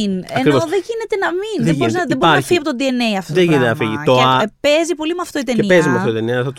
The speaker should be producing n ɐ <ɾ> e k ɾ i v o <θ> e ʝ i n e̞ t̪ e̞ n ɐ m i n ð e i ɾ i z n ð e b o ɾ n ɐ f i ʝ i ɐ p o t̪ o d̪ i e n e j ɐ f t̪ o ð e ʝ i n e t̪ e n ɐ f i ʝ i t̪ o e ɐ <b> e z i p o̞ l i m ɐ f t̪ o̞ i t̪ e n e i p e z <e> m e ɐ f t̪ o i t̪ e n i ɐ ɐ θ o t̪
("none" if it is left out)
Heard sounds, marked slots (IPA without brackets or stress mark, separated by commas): none, ð, p, i